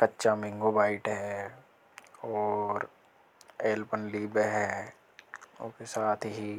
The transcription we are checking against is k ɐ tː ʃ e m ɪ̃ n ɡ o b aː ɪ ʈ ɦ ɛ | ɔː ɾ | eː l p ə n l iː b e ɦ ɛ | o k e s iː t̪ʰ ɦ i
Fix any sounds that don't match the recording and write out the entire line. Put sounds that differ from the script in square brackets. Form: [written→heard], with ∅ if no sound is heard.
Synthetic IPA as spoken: k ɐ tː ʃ [e→a] m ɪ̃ [n→ŋ] ɡ o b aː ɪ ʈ ɦ ɛ | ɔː ɾ | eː l p ə n l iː b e ɦ ɛ | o k e s [iː→aː] t̪ʰ ɦ i